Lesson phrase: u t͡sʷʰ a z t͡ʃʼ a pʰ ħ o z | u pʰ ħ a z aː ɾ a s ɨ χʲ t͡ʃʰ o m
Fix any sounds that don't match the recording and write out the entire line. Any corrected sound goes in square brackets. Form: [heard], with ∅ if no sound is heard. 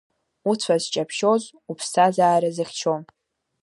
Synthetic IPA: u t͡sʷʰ a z t͡ʃʼ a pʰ [ʃ] o z | u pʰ [s] a z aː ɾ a [z] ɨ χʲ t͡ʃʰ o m

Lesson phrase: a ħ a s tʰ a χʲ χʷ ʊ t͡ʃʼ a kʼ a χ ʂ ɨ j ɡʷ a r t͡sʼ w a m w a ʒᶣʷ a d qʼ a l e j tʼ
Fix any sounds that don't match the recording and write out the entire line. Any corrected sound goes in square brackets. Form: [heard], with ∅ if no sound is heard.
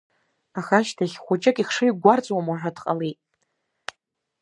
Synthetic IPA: a [χ] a [ʃ] tʰ a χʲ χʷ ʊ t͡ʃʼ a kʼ [i] χ ʂ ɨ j ɡʷ a r t͡sʼ w a m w a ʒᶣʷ a d qʼ a l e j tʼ

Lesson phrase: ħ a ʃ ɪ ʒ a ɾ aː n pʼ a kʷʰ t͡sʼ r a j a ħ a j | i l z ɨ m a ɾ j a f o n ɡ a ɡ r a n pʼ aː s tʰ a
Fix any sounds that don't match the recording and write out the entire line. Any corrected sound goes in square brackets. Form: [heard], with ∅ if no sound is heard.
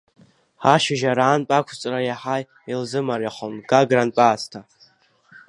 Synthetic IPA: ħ a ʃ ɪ ʒ a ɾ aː n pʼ a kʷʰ t͡sʼ r a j a ħ a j | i l z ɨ m a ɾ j a [χ] o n ɡ a ɡ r a n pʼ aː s tʰ a

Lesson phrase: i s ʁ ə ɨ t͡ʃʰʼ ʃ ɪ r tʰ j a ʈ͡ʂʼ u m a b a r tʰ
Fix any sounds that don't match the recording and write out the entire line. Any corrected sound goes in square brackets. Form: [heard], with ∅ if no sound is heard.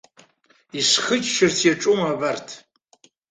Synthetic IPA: i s [χ] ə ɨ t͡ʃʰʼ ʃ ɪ r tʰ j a ʈ͡ʂʼ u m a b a r tʰ

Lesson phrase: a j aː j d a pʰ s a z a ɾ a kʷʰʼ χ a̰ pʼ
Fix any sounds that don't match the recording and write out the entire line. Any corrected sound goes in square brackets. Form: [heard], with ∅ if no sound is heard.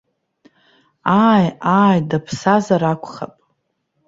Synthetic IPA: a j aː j d a pʰ s a z a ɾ a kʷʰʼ χ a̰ pʼ

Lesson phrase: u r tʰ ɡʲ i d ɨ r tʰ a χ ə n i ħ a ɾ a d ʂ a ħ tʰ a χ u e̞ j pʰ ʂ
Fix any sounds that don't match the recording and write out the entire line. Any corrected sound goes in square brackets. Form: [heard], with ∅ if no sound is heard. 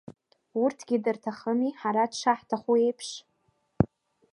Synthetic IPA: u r tʰ ɡʲ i d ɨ r tʰ a χ ə [m] i ħ a ɾ a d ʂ a ħ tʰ a χ u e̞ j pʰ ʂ

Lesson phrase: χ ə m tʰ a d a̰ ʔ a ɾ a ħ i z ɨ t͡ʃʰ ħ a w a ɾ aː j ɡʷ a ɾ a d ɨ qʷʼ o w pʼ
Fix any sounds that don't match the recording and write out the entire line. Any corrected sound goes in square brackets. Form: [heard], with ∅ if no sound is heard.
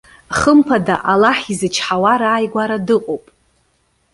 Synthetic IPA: χ ə m [pʰ] a d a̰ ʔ a [l] a ħ i z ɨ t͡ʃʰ ħ a w a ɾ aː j ɡʷ a ɾ a d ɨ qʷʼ o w pʼ

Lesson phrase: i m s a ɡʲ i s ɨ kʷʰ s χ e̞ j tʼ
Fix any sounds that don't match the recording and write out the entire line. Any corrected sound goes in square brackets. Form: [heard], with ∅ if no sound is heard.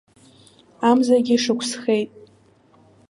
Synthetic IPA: [a] m [z] a ɡʲ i [ʂ] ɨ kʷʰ s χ e̞ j tʼ

